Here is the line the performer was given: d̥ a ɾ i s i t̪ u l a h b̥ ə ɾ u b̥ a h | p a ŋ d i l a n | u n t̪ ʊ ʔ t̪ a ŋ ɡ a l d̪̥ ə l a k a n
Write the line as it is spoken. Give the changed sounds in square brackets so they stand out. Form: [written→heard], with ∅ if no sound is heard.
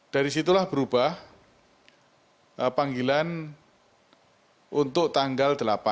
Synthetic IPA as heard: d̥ a ɾ i s i t̪ u l a h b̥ ə ɾ u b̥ a h | p a ŋ [d→ɡ] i l a n | u n t̪ ʊ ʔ t̪ a ŋ ɡ a l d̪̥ ə l a [k→p] a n